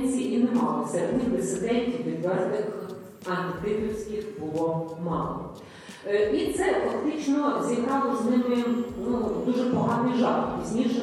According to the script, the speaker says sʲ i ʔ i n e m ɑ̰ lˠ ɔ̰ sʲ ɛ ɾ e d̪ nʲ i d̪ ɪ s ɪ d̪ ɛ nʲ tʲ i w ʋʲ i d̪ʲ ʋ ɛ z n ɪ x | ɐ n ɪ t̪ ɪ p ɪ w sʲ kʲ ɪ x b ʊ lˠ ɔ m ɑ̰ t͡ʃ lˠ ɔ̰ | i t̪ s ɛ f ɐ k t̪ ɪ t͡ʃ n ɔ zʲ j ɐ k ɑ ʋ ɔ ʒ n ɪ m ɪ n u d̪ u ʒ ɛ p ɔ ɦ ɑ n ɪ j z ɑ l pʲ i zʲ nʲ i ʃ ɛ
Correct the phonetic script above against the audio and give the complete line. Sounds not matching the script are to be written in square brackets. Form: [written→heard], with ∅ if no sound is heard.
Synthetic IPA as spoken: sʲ i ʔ i n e m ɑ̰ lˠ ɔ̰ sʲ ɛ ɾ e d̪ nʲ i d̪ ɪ s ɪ d̪ ɛ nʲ tʲ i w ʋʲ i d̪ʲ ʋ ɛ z n ɪ x | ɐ n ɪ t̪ ɪ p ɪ w sʲ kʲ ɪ x b ʊ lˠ ɔ m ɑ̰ [t͡ʃ→∅] lˠ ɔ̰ | i t̪ s ɛ f ɐ k t̪ ɪ t͡ʃ n ɔ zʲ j ɐ k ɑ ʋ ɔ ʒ n ɪ m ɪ n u d̪ u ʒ ɛ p ɔ ɦ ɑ n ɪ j [z→ʒ] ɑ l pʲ i zʲ nʲ i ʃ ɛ